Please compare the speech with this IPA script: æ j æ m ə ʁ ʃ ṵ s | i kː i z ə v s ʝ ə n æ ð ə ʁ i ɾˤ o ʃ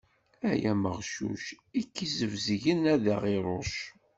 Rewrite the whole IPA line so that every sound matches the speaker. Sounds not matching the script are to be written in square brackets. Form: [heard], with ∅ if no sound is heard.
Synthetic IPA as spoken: æ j æ m ə ʁ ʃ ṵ [ʃ] | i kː i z ə v [z] ʝ ə n æ ð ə ʁ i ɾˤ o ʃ